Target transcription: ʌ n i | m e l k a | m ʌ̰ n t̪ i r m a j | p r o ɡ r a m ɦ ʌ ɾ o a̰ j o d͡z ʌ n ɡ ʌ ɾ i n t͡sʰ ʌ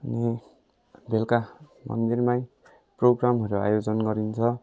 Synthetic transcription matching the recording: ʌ n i | b e l k a | m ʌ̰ n d̪ i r m a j | p r o ɡ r a m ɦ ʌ ɾ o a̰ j o d͡z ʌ n ɡ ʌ ɾ i n t͡sʰ ʌ